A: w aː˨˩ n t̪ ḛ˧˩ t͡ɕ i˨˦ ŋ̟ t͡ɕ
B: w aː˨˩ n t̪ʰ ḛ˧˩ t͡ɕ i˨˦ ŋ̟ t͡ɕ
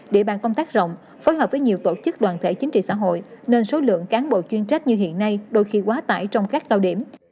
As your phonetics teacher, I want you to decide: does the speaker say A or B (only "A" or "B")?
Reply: B